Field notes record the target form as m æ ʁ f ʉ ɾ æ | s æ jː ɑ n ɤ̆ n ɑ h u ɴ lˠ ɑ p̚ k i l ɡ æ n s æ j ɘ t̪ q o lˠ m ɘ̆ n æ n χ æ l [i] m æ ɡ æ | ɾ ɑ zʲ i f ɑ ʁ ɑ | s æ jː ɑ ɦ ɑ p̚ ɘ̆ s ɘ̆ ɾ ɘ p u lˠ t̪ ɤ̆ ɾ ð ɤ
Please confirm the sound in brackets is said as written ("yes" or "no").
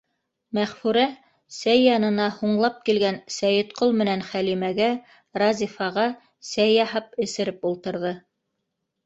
yes